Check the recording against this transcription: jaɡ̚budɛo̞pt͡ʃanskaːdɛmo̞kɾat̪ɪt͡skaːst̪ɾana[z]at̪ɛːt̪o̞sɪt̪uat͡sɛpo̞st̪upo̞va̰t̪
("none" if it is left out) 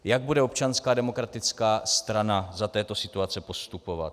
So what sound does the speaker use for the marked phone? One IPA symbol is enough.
z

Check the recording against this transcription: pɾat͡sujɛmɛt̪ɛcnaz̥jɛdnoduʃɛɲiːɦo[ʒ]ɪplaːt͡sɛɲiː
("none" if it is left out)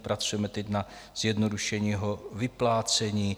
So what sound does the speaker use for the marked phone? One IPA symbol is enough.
v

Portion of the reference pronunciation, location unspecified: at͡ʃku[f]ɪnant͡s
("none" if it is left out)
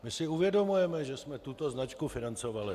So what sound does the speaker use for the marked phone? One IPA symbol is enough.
f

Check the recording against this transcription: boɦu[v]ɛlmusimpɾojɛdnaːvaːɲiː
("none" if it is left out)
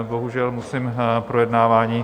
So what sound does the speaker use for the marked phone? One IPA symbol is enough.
ʒ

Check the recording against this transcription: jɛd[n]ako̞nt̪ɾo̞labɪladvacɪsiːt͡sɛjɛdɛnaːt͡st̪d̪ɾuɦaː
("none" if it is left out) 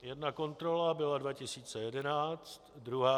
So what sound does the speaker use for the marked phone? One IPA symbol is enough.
n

